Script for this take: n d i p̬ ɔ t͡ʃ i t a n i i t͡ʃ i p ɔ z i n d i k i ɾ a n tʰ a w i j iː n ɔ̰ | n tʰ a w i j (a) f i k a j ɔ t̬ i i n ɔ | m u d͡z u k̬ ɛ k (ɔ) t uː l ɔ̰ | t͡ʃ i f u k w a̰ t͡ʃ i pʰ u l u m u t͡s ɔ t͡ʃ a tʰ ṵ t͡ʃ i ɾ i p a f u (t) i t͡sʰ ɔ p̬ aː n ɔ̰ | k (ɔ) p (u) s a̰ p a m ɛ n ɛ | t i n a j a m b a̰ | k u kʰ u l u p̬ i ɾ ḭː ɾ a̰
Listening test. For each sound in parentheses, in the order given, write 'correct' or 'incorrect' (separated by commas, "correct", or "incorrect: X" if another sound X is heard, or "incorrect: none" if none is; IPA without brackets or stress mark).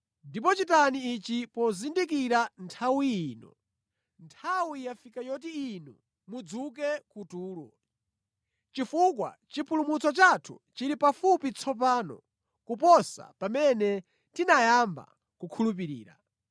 correct, incorrect: u, incorrect: p, incorrect: u, incorrect: ɔ